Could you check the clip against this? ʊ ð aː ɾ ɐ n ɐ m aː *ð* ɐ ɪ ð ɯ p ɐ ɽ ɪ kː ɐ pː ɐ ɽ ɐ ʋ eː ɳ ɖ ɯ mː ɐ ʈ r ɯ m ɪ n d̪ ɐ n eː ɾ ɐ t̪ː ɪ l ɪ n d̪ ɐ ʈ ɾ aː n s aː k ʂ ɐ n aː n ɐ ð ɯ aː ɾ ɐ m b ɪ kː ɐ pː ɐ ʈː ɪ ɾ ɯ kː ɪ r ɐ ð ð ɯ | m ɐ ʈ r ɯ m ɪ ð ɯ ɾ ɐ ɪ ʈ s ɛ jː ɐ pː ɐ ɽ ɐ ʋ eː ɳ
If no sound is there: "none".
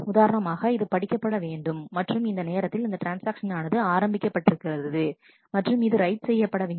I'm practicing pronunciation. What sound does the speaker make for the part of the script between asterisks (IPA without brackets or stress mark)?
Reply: ɣ